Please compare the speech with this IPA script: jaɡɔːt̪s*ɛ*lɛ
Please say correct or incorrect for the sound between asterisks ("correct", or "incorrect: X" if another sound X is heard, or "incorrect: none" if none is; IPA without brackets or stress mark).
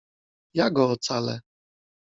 incorrect: a